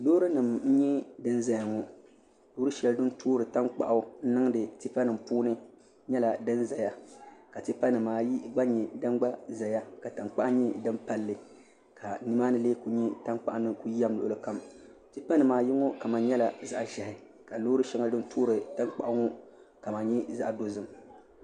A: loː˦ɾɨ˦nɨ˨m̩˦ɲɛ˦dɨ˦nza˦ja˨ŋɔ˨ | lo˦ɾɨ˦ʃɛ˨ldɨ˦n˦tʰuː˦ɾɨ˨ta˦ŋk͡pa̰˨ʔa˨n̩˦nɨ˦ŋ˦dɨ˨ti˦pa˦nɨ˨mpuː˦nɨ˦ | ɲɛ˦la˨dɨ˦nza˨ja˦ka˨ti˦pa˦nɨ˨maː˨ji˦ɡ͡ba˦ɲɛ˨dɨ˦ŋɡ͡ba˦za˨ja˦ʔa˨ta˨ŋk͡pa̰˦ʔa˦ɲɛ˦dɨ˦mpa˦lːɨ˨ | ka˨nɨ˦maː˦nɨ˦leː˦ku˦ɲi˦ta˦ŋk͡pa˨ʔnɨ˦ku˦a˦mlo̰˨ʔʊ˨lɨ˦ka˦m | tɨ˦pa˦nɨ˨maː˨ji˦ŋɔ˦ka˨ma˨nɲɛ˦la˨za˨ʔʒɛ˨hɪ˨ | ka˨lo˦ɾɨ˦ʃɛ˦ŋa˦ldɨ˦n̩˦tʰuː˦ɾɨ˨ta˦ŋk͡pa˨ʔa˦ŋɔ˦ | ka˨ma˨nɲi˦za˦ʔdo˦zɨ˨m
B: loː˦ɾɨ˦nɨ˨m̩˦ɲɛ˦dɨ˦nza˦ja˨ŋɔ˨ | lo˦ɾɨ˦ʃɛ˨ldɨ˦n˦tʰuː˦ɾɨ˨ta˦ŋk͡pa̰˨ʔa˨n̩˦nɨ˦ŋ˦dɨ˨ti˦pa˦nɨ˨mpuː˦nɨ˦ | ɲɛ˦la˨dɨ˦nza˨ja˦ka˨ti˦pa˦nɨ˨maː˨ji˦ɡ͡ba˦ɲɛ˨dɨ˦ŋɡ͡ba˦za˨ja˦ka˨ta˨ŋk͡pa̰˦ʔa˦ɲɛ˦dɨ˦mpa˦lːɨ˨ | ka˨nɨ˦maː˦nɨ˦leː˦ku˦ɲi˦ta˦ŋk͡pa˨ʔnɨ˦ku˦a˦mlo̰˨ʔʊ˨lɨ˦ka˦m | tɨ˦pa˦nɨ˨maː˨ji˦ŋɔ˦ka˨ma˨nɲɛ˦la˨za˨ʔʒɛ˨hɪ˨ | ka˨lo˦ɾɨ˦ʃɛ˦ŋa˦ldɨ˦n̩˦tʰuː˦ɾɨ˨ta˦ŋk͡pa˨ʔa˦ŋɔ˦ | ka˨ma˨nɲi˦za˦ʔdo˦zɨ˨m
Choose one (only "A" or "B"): B